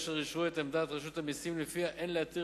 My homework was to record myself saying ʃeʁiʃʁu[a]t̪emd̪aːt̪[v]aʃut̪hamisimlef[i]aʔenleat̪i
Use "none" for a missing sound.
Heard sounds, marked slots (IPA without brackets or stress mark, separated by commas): e, ʁ, i